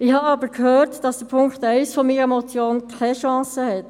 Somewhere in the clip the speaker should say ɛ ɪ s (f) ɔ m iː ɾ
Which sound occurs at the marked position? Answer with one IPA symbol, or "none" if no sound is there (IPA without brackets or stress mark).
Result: f